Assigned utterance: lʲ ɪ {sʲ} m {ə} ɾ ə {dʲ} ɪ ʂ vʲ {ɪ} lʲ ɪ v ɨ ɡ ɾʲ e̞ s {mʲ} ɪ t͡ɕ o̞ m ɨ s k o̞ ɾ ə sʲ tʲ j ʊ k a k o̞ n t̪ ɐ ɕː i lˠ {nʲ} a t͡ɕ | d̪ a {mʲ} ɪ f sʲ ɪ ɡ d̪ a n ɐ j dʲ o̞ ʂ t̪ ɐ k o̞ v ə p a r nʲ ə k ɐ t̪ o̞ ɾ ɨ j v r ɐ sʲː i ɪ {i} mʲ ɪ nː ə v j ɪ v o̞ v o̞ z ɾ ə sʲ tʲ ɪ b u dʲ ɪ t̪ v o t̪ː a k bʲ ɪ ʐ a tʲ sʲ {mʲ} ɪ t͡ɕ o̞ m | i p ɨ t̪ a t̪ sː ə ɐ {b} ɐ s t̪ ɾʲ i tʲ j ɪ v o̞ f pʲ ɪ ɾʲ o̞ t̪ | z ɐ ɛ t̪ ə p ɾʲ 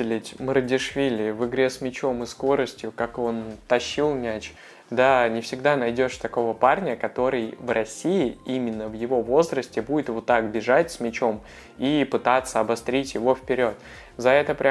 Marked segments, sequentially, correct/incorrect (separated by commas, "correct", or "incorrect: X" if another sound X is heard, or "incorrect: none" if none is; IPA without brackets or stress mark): incorrect: tʲ, correct, correct, incorrect: i, correct, correct, incorrect: nʲ, correct, correct, correct